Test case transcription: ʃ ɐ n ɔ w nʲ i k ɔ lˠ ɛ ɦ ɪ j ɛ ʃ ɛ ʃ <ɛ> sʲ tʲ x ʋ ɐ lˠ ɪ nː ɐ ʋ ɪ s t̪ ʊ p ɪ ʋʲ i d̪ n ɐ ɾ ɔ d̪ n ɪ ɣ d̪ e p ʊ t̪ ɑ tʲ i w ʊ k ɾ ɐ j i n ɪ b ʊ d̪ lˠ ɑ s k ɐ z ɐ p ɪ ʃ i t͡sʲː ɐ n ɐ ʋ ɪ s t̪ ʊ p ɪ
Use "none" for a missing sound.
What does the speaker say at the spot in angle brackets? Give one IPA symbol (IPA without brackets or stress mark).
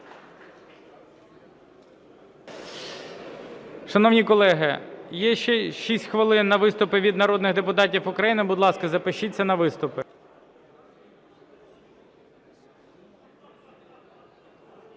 i